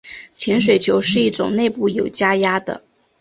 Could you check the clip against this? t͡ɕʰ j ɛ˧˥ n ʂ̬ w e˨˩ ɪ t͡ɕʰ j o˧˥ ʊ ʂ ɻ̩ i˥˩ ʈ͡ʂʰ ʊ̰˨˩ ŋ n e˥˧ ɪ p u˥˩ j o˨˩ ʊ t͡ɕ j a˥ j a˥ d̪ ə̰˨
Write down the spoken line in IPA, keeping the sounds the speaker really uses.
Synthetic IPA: t͡ɕʰ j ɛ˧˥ n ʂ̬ w e˨˩ ɪ t͡ɕʰ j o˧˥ ʊ ʂ ɻ̩ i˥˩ ʈ͡ʂ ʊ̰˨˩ ŋ n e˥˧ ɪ p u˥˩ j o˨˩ ʊ t͡ɕ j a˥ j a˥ d̪ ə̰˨